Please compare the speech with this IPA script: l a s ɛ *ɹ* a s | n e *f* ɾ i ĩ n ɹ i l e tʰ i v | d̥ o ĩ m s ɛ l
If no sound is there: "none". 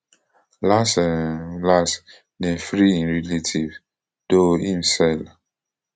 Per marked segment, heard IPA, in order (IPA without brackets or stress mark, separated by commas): l, f